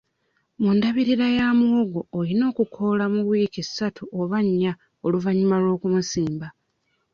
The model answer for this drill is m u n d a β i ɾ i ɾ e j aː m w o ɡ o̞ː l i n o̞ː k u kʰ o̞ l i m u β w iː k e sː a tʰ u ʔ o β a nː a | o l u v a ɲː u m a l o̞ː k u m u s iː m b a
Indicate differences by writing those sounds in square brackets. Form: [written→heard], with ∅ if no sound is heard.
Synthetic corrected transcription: m u n d a β i ɾ i ɾ [e→a] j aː m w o ɡ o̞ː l i n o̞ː k u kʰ o̞ l [i→a] m u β w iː k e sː a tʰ u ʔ o β a [nː→ɲː] a | o l u v a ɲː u m a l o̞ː k u m u s iː m b a

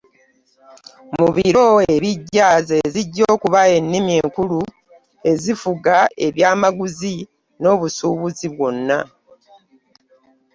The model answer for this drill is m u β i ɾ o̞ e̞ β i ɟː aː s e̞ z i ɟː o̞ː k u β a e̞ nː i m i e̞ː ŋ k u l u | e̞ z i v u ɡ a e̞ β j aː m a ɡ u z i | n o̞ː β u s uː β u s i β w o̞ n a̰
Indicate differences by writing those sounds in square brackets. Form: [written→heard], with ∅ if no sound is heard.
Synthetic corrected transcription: m u β i ɾ o̞ e̞ β i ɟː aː [s→z] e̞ z i ɟː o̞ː k u β a e̞ nː i m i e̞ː ŋ k u l u | e̞ z i [v→f] u ɡ a e̞ β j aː m a ɡ u z i | n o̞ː β u s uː β u [s→z] i β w o̞ [n→nː] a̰

